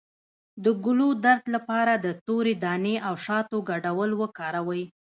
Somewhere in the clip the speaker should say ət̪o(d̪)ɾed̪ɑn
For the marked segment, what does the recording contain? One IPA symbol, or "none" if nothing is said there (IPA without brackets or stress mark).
none